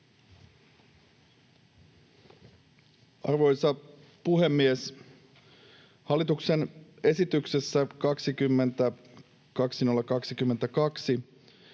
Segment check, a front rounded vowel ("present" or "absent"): present